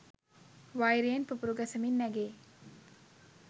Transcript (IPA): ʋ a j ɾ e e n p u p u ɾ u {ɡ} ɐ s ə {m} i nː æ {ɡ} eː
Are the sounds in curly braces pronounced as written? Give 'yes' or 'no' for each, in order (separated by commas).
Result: yes, yes, yes